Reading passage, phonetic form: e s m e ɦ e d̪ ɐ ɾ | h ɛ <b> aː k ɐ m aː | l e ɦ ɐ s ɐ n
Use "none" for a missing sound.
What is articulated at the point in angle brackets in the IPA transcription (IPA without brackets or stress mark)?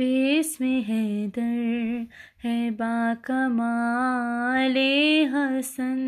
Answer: b